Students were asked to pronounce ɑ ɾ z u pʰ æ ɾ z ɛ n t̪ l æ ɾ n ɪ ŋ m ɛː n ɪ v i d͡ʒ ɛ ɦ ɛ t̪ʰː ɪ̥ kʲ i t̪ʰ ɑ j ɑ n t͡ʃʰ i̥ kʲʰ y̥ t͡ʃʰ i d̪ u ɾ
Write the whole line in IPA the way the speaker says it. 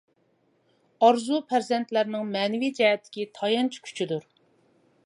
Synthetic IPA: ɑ ɾ z u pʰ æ ɾ z ɛ n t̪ l æ ɾ n ɪ ŋ m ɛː n ɪ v i d͡ʒ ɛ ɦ ɛ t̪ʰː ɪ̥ kʲ i t̪ʰ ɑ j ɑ n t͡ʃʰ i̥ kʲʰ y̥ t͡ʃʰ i d̪ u ɾ